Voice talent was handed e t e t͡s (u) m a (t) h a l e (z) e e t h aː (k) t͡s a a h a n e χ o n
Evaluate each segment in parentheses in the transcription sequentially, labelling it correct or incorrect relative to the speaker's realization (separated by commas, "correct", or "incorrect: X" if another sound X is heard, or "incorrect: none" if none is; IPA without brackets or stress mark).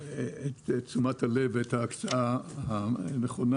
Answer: correct, correct, incorrect: v, correct